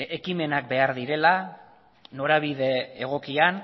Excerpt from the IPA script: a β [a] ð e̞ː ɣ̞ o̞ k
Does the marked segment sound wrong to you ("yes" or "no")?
yes